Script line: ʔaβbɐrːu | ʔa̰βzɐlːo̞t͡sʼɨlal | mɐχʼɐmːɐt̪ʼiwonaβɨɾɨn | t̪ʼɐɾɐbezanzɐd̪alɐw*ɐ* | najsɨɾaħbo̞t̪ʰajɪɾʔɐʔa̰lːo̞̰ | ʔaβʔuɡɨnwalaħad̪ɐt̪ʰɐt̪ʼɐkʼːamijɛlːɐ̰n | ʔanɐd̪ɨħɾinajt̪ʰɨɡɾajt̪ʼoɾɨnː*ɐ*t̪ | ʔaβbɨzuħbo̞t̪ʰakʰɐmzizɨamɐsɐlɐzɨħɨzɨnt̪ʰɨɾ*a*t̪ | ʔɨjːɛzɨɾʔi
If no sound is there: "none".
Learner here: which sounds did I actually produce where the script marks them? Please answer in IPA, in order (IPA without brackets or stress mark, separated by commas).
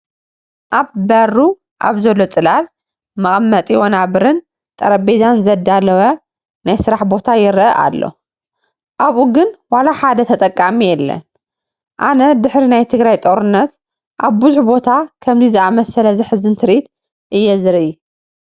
ɐ, ɐ, i